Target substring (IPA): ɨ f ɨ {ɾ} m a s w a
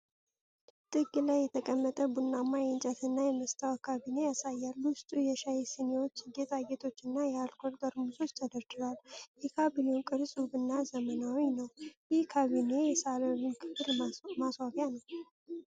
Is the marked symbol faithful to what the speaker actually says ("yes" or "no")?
no